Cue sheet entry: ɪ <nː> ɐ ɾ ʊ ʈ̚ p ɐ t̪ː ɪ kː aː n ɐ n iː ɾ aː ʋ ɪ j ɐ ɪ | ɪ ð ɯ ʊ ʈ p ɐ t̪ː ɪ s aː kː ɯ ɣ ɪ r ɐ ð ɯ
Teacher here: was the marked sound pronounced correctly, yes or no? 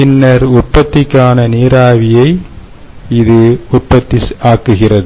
yes